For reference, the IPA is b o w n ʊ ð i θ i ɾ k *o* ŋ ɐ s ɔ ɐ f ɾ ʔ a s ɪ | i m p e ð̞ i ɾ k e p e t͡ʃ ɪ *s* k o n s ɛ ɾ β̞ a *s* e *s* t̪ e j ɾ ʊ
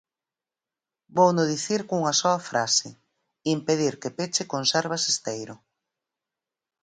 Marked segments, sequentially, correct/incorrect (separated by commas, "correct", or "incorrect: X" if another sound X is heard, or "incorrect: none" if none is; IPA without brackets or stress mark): incorrect: u, incorrect: none, correct, correct